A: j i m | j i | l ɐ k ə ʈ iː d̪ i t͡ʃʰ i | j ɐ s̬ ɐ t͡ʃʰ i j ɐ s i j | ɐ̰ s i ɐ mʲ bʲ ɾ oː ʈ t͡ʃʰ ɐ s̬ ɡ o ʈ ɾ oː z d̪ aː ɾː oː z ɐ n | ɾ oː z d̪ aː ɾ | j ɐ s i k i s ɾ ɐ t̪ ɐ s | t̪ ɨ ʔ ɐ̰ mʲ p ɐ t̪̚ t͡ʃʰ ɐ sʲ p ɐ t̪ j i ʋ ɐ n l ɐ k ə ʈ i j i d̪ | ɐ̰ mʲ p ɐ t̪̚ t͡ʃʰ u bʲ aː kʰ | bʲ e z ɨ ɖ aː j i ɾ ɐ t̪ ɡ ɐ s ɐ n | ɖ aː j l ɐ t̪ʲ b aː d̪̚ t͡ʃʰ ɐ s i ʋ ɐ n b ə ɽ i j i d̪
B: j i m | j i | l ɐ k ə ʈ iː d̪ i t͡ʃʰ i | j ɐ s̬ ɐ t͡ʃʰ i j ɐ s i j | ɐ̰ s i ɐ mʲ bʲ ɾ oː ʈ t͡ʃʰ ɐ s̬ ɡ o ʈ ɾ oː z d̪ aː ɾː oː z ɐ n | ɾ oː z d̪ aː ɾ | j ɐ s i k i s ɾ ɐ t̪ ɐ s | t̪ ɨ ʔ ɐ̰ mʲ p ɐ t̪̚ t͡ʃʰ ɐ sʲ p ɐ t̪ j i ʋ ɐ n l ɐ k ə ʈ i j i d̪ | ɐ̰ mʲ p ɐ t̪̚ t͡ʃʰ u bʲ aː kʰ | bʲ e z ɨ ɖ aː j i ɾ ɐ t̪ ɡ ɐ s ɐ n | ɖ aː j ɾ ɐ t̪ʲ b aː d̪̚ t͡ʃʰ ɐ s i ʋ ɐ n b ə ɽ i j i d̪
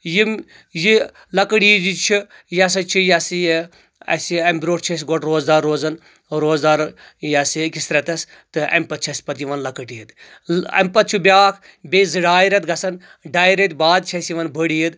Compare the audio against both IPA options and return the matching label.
B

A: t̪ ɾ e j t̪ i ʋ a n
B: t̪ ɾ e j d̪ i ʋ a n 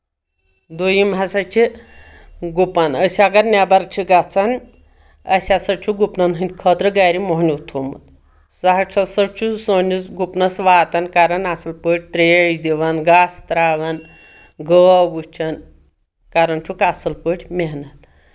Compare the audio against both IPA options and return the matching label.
B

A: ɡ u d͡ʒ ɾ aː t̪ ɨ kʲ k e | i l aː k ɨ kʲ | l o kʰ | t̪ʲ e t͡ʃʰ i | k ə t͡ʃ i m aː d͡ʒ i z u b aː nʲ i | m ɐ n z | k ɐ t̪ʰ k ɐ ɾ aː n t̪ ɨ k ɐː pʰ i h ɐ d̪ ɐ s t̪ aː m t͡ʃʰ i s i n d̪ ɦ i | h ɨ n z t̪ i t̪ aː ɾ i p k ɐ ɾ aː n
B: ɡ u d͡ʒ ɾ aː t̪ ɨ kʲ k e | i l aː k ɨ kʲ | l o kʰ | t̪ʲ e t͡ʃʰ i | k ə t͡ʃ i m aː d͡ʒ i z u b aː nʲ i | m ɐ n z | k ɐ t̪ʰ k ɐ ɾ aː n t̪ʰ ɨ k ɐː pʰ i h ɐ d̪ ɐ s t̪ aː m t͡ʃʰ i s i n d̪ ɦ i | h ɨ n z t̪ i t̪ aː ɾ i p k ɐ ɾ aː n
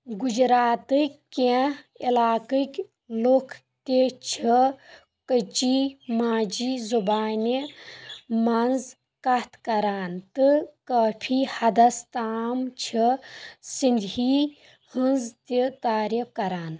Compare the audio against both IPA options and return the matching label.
A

